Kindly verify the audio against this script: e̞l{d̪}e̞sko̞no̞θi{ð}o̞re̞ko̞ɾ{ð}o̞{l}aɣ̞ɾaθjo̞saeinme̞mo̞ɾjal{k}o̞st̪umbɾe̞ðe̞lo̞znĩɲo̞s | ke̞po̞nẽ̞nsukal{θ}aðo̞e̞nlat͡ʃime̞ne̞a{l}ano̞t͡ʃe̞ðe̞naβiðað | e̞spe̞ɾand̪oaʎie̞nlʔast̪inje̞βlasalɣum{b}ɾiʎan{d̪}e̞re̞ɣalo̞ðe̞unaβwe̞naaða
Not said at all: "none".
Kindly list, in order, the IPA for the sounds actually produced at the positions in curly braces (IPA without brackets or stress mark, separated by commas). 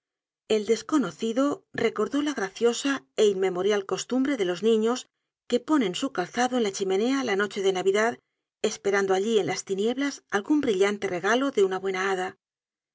d̪, ð, ð, l, k, θ, l, b, t̪